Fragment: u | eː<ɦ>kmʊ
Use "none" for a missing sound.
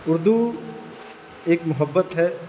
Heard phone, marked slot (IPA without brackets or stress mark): none